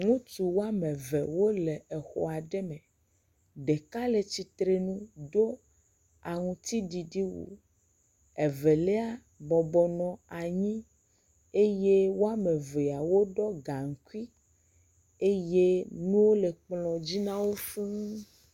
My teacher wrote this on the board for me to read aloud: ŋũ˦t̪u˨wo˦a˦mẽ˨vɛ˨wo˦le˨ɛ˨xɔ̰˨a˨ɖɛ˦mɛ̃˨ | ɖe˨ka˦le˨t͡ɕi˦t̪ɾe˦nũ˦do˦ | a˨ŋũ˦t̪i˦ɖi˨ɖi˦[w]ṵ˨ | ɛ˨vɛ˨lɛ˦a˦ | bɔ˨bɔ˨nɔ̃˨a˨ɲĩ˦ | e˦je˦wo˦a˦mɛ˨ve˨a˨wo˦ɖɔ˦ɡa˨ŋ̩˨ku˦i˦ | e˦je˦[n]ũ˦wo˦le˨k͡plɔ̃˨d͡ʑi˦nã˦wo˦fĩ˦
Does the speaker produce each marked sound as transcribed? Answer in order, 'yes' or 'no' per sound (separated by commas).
yes, yes